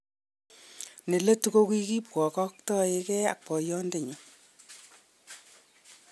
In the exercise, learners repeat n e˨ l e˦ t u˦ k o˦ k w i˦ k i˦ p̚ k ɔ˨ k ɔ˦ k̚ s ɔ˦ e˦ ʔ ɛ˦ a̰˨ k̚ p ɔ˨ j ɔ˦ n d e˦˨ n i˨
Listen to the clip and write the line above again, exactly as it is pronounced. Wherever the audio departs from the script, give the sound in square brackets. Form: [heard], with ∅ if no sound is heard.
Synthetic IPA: n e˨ l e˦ t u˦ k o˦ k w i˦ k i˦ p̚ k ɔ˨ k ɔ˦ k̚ [t] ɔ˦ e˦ [k] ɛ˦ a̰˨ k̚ p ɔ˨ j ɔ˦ n d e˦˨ [ɲ] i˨